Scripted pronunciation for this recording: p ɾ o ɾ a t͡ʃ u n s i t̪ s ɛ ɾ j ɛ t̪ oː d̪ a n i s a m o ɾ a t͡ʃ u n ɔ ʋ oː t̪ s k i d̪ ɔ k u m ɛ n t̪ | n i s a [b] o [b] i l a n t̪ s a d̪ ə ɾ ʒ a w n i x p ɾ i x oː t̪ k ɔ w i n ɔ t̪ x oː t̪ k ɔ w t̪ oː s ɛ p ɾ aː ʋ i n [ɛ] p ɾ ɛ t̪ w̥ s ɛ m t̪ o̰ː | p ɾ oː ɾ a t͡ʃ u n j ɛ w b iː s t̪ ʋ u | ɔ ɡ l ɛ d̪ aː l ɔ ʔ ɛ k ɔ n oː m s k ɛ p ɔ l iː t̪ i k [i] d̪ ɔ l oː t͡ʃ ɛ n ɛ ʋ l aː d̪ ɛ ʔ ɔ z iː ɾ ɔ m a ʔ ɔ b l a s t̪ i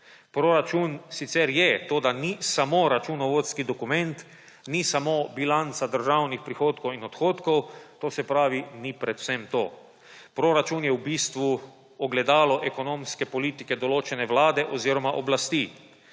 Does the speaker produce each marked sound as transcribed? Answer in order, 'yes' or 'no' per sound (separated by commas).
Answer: no, yes, no, no